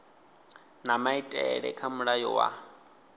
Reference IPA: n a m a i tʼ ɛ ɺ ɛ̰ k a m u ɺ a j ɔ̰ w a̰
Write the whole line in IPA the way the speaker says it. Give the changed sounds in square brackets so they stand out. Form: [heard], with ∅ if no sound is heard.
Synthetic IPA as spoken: n a m a i tʼ ɛ ɺ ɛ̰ [kʰ] a m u ɺ a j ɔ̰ w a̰